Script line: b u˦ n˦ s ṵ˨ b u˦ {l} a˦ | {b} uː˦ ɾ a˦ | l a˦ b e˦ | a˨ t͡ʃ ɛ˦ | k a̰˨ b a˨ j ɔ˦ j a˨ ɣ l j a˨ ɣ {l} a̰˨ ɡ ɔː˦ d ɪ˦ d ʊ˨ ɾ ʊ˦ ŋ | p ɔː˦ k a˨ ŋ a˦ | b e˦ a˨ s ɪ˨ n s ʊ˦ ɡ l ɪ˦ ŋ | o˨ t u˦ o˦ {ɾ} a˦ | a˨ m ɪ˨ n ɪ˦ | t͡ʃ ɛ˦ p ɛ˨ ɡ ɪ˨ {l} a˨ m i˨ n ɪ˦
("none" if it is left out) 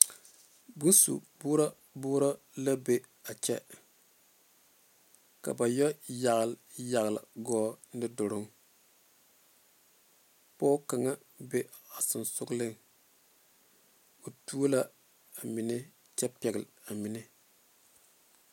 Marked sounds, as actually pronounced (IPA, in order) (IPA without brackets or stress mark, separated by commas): ɾ, b, l, l, l